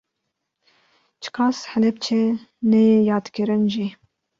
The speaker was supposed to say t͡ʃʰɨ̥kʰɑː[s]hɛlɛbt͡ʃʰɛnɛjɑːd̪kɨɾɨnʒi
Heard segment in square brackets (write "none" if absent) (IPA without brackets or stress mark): s